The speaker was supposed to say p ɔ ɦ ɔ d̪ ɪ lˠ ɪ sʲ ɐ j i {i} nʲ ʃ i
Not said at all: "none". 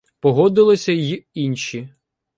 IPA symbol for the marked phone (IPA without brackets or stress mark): i